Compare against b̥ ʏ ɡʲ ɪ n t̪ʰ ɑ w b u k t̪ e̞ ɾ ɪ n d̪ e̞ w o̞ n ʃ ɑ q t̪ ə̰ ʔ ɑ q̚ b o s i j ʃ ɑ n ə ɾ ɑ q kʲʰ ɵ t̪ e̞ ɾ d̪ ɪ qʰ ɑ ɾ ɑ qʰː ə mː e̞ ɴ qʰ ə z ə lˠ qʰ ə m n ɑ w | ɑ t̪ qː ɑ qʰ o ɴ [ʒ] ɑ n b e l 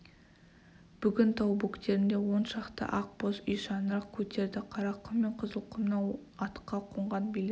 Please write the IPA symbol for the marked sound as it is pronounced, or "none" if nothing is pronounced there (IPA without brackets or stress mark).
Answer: ʁ